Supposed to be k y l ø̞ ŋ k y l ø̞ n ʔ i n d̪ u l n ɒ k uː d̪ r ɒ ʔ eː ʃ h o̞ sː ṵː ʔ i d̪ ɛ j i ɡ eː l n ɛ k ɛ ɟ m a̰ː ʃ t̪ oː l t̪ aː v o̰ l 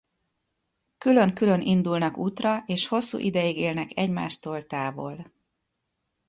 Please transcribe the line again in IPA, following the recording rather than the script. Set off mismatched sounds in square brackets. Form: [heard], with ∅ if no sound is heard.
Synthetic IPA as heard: k y l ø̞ ŋ k y l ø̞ n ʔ i n d̪ u l n ɒ k uː [t̪] r ɒ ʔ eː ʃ h o̞ sː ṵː ʔ i d̪ ɛ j i ɡ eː l n ɛ k ɛ ɟ m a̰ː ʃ t̪ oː l t̪ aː v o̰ l